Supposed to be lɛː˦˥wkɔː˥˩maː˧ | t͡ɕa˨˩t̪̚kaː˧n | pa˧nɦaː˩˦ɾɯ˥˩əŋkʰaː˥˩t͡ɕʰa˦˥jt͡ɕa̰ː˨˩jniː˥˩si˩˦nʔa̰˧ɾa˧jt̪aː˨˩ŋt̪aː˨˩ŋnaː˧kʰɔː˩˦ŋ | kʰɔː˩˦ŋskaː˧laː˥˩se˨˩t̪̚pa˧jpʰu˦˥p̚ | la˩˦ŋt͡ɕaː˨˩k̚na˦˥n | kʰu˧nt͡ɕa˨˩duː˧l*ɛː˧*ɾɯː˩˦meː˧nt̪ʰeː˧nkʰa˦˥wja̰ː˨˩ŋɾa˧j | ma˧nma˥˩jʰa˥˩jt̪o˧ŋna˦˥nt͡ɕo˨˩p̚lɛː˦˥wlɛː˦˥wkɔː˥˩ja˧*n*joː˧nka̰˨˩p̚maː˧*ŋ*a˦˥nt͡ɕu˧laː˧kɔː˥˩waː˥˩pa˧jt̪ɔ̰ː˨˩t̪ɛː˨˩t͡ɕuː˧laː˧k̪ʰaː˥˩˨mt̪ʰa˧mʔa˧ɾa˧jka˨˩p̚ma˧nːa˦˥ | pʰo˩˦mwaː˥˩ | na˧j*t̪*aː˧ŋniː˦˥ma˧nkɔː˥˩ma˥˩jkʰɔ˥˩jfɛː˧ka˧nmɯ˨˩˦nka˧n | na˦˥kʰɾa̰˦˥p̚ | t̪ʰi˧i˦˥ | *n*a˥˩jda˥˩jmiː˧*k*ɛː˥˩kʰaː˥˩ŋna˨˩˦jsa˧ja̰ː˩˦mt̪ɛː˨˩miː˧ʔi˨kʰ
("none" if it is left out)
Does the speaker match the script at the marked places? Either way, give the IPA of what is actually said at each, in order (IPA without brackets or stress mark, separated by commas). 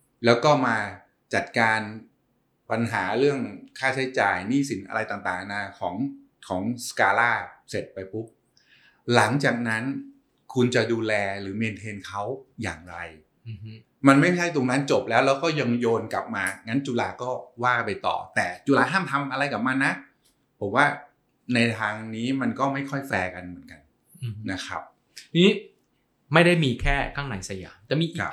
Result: ɛː˧, ŋ, ŋ, t̪ʰ, m, kʰ